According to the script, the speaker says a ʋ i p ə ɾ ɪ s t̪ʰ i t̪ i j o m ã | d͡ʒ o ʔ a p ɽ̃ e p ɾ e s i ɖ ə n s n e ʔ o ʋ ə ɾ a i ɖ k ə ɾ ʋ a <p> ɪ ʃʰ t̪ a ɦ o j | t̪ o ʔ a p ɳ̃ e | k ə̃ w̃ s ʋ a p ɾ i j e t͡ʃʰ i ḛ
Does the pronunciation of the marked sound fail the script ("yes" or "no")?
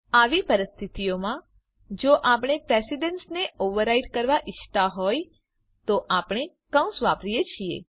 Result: yes